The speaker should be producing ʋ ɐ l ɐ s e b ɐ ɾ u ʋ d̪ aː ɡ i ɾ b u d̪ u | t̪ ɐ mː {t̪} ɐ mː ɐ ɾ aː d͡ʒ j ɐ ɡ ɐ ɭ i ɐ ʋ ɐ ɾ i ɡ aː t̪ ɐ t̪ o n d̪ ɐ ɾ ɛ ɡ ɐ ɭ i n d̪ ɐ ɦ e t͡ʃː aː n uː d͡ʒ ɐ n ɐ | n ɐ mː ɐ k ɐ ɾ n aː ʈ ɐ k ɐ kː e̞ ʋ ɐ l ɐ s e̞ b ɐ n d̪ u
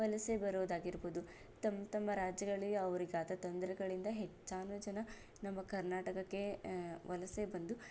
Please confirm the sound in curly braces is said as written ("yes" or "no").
yes